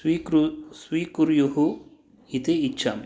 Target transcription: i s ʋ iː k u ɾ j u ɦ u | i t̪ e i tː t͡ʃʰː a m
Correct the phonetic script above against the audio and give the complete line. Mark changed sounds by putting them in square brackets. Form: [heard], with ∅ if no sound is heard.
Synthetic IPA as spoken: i s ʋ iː k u ɾ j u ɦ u | i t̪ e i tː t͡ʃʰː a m